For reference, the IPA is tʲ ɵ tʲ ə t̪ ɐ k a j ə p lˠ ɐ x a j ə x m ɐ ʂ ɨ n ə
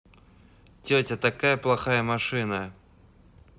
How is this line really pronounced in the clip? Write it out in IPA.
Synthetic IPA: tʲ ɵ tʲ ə t̪ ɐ k a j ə p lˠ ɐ x a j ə m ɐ ʂ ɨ n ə